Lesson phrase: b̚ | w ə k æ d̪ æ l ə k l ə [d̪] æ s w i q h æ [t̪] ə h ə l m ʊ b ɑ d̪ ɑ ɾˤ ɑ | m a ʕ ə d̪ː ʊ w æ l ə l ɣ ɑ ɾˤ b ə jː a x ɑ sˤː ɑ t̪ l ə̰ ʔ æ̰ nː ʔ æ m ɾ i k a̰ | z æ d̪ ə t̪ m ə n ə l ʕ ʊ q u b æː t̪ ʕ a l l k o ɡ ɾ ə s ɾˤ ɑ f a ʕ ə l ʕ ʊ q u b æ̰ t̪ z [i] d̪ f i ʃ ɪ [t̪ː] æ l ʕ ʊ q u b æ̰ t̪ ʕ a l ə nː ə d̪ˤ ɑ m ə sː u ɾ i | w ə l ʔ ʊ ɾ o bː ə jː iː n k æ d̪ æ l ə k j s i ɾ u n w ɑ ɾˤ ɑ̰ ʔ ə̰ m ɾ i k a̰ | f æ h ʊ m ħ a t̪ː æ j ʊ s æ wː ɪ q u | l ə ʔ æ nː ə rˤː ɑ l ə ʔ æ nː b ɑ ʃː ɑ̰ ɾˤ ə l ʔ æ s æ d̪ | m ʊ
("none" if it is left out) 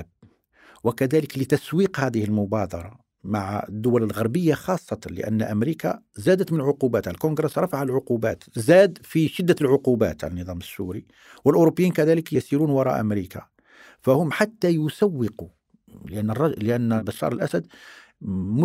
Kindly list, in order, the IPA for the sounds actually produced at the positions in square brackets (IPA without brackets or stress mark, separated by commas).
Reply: t̪, d̪, æ, d̪ː